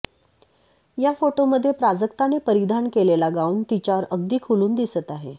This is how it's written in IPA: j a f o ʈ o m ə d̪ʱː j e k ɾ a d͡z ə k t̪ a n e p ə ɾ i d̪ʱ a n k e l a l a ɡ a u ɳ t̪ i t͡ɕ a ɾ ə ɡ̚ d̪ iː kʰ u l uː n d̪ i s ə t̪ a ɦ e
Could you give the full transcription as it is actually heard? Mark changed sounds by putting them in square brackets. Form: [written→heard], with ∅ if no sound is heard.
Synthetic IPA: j a f o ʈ o m ə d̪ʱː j e [k→p] ɾ a d͡z ə k t̪ a n e p ə ɾ i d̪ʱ a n k e l [a→e] l a ɡ a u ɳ t̪ i t͡ɕ a ɾ ə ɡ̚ d̪ iː kʰ u l uː n d̪ i s ə t̪ a ɦ e